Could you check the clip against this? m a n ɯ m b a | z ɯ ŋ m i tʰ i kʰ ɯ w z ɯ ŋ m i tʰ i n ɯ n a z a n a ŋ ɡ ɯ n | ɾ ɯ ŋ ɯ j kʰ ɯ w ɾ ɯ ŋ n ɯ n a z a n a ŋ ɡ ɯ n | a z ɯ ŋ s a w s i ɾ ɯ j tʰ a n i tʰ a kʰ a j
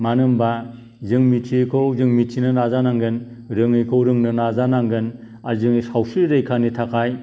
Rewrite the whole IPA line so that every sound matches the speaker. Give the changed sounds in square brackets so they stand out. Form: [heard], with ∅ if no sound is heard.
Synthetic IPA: m a n ɯ m b a | z ɯ ŋ m i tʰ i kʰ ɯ w z ɯ ŋ m i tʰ i n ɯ n a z a n a ŋ ɡ ɯ n | ɾ ɯ ŋ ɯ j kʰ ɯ w ɾ ɯ ŋ n ɯ n a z a n a ŋ ɡ ɯ n | a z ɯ ŋ s a w s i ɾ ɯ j [kʰ] a n i tʰ a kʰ a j